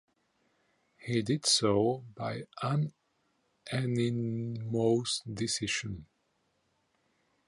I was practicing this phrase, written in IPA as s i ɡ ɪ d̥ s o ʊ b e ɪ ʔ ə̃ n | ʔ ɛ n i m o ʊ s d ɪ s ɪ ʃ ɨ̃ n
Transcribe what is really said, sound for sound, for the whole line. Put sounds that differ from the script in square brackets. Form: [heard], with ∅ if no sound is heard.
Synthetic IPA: [h] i [d] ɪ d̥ s o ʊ b [a] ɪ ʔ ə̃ n | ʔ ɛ n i m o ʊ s d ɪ s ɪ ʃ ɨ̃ n